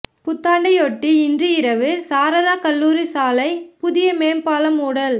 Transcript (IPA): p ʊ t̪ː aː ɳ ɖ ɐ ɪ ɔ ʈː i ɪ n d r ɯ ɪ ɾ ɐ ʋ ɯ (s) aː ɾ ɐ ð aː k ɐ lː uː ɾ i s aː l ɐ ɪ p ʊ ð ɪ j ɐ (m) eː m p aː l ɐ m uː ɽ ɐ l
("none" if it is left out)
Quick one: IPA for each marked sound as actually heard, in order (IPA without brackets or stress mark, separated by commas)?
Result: s, m